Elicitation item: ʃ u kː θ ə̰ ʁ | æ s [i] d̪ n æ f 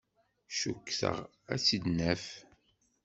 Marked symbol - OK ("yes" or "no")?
yes